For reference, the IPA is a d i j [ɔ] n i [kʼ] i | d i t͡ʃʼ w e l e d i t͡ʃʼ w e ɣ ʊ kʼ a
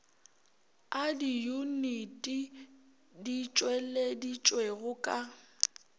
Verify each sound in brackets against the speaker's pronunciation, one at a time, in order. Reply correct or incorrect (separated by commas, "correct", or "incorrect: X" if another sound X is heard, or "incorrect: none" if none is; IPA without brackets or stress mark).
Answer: incorrect: u, incorrect: tʼ